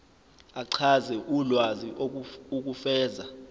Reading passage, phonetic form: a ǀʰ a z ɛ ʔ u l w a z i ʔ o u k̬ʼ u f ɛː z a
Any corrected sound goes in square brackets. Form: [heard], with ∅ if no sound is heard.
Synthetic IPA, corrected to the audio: a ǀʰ a z ɛ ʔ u l w a z i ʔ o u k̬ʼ u f ɛː z a